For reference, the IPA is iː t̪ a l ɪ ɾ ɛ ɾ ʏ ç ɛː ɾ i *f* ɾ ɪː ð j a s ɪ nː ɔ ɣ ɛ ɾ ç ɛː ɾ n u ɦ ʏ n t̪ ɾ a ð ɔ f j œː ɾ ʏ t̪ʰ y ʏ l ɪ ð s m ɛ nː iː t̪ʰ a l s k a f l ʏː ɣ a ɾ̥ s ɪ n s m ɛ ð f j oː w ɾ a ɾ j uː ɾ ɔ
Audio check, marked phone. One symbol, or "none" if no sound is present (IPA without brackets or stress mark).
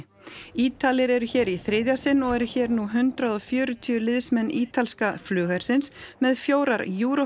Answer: θ